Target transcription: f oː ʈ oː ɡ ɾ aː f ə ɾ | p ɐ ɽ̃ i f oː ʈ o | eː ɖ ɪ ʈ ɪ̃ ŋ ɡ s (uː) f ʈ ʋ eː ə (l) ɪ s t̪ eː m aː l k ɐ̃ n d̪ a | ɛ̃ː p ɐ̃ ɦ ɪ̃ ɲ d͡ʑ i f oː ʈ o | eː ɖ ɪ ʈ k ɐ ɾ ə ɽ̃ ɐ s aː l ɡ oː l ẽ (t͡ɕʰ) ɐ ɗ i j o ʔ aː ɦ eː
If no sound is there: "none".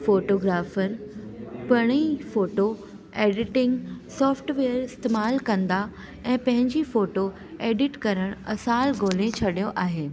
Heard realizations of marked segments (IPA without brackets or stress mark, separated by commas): ɔː, ɾ, t͡ɕʰ